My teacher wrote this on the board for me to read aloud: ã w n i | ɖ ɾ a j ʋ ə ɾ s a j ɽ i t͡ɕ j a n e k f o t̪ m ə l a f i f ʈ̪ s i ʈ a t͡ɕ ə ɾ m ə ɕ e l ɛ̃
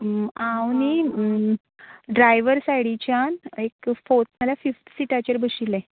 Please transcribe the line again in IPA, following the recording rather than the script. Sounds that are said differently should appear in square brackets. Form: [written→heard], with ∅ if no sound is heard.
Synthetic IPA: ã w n i | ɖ ɾ a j ʋ ə ɾ s a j ɽ i t͡ɕ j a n e k f o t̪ m ə l a f i f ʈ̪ s i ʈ a t͡ɕ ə ɾ [m→b] ə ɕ [e→i] l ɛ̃